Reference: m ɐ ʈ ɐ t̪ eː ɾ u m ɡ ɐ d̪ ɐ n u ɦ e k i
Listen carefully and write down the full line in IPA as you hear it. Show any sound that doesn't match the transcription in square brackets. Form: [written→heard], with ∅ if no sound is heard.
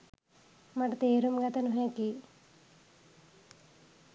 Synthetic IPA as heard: m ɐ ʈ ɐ t̪ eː ɾ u m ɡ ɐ [d̪→t̪] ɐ n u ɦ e k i